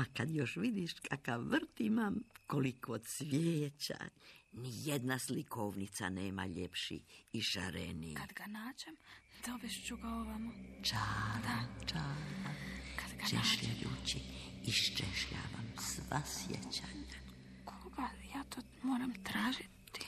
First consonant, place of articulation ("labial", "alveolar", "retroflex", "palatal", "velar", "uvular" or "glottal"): velar